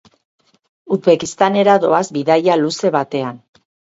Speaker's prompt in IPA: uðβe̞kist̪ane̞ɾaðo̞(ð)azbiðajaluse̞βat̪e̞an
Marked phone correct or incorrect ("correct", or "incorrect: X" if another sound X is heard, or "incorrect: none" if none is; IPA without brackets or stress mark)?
incorrect: none